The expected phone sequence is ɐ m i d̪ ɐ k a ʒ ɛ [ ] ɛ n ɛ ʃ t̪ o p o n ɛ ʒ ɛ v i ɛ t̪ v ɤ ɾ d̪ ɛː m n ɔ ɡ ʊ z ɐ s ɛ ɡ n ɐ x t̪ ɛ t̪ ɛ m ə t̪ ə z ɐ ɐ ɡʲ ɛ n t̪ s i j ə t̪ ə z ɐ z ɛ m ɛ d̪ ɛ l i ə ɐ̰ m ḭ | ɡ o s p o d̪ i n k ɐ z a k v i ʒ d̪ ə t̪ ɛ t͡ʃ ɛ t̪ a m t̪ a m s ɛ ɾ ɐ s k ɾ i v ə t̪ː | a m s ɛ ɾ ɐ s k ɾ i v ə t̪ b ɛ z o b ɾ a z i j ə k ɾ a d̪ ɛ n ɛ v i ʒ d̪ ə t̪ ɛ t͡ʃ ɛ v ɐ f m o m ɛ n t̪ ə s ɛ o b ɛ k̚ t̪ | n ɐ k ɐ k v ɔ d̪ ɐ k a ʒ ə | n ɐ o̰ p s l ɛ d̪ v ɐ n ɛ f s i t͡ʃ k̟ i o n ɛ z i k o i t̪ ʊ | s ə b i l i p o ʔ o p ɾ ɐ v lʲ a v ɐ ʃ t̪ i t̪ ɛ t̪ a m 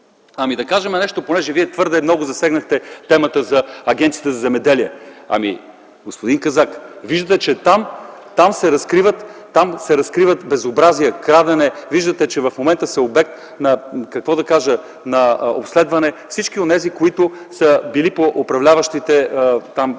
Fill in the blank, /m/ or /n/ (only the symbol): m